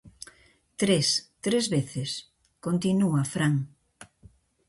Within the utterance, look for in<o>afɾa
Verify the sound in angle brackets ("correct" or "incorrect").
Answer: incorrect